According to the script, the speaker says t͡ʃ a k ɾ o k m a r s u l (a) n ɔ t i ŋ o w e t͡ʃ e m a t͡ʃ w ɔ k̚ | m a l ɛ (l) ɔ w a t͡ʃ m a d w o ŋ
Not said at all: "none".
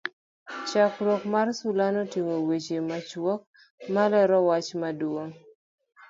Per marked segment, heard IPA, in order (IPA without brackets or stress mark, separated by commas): a, ɾ